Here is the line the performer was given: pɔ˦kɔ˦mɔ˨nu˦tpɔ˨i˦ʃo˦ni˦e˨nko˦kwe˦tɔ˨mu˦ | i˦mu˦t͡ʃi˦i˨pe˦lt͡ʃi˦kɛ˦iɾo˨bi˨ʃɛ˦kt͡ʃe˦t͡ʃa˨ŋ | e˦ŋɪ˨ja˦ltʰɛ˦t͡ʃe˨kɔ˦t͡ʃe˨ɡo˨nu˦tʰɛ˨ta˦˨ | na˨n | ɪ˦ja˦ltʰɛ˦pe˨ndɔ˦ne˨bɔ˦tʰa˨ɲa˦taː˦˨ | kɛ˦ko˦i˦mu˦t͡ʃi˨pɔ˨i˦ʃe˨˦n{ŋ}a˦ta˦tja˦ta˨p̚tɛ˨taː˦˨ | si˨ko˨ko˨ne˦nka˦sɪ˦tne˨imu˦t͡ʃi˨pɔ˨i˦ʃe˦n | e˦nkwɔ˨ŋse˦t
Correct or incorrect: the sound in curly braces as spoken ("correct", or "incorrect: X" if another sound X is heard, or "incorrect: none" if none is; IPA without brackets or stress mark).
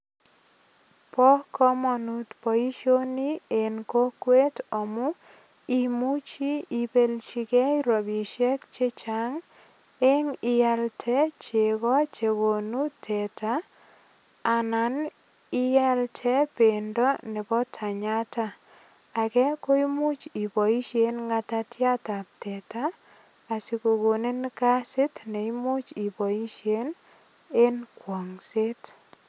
correct